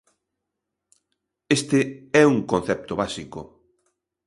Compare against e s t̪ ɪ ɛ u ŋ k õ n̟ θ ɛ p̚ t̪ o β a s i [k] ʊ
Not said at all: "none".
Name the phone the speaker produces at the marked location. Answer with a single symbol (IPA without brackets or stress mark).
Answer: k